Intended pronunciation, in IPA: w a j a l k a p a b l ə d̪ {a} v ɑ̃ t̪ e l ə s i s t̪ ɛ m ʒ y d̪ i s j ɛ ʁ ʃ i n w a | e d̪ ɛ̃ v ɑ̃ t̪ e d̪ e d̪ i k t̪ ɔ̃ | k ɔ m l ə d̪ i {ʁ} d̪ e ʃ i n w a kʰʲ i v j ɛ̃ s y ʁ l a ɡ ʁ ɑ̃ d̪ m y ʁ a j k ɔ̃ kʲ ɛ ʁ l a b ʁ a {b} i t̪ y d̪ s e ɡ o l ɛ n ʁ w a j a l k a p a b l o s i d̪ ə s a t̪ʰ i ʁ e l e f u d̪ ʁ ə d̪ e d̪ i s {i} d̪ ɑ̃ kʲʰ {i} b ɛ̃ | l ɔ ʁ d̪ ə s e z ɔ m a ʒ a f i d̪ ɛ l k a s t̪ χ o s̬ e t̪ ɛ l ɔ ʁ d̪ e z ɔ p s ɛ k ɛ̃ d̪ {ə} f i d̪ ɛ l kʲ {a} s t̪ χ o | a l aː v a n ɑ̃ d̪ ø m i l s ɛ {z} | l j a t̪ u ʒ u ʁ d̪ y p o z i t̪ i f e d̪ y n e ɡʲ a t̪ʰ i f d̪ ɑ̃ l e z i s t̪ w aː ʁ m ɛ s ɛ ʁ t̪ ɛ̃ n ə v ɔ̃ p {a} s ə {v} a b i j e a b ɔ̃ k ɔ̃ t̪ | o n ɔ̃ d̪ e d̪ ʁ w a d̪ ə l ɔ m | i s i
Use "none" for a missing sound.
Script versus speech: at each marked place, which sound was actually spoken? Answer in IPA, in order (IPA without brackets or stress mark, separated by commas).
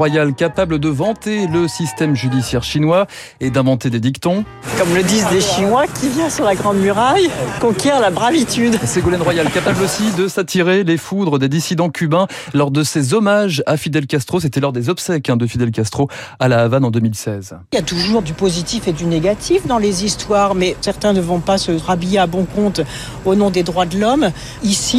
ə, z, v, i, y, ə, a, z, a, ʁ